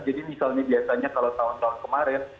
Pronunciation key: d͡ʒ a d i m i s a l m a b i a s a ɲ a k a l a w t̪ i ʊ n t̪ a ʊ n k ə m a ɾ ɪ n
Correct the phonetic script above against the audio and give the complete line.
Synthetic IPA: d͡ʒ a d i m i s a l ɲ a b i a s a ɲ a k a l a w t̪ a ʊ n t̪ a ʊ n k ə m a ɾ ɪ n